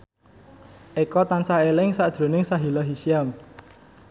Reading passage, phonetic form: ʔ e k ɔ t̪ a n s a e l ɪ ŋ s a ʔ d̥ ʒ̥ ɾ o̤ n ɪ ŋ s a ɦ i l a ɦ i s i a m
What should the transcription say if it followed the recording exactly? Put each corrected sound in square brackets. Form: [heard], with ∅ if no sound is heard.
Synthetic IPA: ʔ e k ɔ t̪ a n s a e l ɪ ŋ s a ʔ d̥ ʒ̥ ɾ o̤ n ɪ ŋ s a ɦ i l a ɦ i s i a m